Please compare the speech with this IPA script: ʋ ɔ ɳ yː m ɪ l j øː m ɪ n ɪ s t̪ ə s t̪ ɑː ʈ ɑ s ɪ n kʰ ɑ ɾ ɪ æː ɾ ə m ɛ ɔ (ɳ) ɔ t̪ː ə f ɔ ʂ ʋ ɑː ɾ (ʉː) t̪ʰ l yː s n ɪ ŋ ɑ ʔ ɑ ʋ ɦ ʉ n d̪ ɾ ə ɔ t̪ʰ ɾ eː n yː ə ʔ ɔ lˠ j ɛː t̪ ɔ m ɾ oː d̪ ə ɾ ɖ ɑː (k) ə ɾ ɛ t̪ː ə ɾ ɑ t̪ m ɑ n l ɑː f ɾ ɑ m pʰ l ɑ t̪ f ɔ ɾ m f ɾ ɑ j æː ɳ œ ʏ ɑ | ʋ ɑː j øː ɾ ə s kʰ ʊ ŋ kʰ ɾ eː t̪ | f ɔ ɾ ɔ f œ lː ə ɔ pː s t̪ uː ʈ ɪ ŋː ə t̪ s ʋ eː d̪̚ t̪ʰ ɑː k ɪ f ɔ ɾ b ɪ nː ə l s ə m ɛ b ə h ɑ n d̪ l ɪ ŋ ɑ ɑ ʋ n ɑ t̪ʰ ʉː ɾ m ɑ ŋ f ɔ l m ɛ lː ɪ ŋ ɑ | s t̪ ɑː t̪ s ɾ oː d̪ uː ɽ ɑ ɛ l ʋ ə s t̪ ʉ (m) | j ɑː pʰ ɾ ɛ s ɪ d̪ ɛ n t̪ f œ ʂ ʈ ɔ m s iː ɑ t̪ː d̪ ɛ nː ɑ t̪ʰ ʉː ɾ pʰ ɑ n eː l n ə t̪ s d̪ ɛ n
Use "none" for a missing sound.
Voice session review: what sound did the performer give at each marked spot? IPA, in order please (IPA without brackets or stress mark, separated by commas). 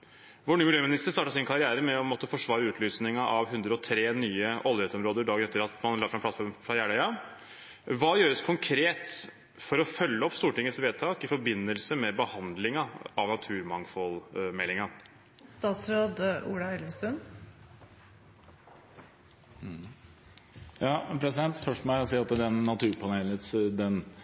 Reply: m, ʉː, ɡ, n